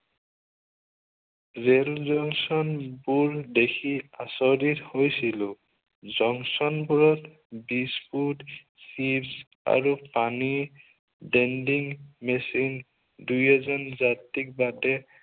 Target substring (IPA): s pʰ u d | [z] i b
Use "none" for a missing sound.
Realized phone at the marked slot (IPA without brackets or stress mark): s